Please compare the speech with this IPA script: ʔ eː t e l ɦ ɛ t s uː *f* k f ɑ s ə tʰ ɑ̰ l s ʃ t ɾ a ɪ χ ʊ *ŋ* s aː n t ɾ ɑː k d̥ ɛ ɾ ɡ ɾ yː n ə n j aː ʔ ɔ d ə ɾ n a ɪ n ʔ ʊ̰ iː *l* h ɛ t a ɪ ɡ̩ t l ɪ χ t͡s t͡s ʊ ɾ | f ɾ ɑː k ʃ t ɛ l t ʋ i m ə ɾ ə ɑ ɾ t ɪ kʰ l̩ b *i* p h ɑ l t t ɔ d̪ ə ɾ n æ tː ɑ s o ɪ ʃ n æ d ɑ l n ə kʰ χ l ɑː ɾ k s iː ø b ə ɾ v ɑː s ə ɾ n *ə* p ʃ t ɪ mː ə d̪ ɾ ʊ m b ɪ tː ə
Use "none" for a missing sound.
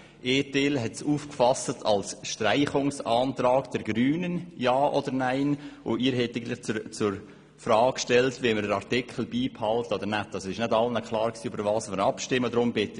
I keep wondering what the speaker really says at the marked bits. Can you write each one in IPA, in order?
f, ŋ, ɾ, iː, ɑ

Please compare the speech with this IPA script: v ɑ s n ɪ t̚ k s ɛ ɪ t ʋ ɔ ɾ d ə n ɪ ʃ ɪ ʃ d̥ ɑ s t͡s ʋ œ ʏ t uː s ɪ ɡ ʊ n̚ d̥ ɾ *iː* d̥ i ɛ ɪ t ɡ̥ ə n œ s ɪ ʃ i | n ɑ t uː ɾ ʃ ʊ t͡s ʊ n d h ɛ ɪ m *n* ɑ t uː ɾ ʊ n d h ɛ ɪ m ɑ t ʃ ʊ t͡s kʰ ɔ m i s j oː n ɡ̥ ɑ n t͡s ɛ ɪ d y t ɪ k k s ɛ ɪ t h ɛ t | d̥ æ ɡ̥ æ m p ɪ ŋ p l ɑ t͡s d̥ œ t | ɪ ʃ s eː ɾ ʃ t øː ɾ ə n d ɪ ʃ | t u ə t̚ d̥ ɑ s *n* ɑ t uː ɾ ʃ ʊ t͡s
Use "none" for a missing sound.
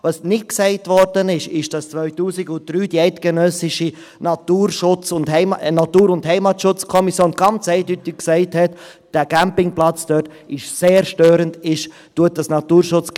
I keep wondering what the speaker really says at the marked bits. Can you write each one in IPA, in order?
yː, n, n

